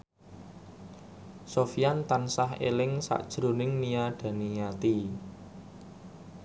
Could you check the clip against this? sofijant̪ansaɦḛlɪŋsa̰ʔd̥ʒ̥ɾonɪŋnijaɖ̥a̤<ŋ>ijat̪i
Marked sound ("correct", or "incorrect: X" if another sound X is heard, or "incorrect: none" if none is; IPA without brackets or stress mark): incorrect: n